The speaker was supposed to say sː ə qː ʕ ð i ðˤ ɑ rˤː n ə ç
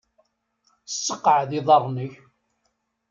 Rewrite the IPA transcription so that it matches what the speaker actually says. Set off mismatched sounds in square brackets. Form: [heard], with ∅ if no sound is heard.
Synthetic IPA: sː ə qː ʕ ð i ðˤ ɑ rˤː n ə ç